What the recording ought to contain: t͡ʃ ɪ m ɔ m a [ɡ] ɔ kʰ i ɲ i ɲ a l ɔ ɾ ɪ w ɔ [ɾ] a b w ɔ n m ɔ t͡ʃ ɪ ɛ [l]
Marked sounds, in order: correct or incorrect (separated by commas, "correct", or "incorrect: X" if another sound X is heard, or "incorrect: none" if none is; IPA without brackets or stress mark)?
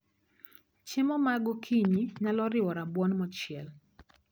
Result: correct, correct, correct